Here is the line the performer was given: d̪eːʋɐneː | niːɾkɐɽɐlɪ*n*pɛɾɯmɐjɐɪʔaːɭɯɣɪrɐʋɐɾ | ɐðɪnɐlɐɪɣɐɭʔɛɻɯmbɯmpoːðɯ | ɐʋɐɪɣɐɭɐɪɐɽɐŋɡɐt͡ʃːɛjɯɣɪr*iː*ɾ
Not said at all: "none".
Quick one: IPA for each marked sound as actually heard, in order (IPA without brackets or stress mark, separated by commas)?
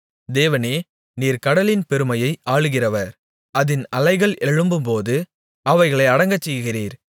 n, iː